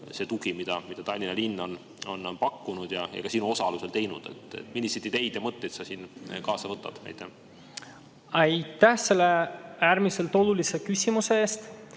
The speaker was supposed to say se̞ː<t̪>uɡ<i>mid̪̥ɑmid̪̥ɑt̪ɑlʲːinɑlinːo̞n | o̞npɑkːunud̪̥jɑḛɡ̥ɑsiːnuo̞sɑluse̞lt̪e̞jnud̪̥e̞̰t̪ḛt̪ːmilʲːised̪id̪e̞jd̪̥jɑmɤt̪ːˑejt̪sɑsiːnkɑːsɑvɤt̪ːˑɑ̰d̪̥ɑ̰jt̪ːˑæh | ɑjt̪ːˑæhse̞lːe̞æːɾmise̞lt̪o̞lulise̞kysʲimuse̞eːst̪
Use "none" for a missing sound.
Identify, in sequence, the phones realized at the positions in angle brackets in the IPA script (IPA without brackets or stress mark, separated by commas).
t̪, i